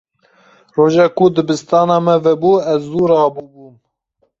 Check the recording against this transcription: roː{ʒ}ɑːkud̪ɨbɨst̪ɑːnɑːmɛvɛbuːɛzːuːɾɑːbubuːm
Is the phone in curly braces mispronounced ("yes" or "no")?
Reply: no